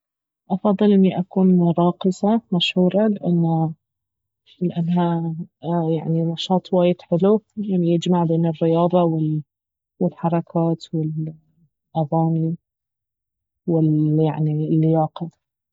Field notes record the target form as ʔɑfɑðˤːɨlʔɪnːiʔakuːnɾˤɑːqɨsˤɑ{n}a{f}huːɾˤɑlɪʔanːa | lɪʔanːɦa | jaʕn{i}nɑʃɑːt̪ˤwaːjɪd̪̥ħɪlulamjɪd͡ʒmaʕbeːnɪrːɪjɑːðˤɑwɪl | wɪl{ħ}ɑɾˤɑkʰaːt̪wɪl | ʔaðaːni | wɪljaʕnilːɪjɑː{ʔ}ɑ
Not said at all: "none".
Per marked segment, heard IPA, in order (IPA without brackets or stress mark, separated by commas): m, ʃ, i, ħ, q